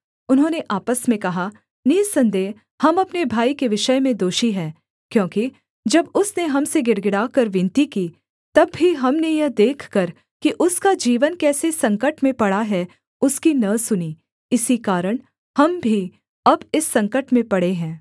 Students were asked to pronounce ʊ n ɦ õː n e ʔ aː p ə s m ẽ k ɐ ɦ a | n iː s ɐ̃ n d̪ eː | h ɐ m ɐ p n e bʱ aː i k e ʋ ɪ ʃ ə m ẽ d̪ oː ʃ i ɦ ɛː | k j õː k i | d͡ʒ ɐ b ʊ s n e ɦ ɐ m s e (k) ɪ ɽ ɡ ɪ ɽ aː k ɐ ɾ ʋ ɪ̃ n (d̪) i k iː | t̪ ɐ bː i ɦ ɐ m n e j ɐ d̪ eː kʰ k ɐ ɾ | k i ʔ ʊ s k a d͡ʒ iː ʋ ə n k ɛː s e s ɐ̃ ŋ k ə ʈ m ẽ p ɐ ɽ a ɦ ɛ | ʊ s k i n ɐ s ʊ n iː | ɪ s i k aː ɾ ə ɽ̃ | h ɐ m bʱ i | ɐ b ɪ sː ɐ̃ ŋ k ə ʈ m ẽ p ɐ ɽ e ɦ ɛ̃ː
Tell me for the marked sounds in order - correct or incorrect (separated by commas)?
incorrect, incorrect